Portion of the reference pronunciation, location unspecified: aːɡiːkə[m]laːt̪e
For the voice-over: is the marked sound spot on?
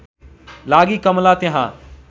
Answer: yes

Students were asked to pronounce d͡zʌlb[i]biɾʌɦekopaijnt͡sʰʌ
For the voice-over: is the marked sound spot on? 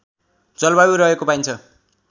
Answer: no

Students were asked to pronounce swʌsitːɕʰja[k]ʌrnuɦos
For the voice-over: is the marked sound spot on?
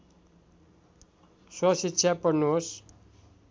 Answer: no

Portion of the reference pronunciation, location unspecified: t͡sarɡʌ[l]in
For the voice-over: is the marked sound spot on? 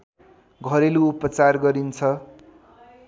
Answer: no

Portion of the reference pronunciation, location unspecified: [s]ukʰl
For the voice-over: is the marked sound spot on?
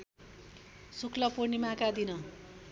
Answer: yes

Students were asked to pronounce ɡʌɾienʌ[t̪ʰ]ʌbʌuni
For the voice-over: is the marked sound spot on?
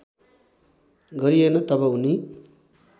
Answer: no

